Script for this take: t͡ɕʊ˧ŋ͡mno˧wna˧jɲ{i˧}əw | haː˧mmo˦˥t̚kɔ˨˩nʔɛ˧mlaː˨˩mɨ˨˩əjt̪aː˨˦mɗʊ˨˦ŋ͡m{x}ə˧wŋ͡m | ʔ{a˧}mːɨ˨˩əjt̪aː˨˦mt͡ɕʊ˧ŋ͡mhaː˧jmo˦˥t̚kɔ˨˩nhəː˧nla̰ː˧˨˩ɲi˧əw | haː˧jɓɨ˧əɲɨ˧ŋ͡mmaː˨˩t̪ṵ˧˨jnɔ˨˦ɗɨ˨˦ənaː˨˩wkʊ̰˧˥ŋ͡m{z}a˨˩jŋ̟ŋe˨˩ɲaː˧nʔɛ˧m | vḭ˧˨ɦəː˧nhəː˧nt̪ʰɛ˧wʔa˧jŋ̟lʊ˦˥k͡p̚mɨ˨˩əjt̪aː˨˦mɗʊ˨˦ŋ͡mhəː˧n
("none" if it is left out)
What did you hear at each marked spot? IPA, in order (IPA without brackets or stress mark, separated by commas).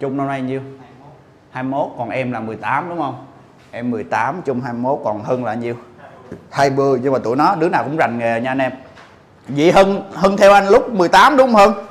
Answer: i˧, h, ɛ˧, z